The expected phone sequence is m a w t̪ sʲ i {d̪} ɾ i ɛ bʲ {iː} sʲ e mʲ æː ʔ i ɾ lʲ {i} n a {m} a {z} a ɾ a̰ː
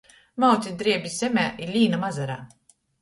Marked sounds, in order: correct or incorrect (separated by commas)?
correct, incorrect, incorrect, correct, correct